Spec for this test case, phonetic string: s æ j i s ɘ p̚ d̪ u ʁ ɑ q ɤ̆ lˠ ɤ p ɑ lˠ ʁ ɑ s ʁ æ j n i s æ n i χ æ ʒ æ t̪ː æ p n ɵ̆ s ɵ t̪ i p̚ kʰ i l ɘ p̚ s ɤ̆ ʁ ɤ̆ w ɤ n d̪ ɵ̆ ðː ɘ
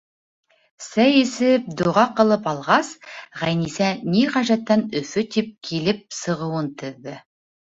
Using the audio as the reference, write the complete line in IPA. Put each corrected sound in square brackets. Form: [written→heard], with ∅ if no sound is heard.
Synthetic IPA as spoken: s æ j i s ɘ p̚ d̪ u ʁ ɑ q ɤ̆ lˠ ɤ p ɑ lˠ ʁ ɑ s ʁ æ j n i s æ n i [χ→ʁ] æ ʒ æ t̪ː æ [p→∅] n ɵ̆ [s→f] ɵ t̪ i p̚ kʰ i l ɘ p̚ s ɤ̆ ʁ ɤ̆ w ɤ n [d̪→t̪] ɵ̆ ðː ɘ